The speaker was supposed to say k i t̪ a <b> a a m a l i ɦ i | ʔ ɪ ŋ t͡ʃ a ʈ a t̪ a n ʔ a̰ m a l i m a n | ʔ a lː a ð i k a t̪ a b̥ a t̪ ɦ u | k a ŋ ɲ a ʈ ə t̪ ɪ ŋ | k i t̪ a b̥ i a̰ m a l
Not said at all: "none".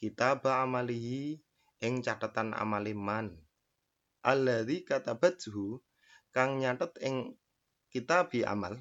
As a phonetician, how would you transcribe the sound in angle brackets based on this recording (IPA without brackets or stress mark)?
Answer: b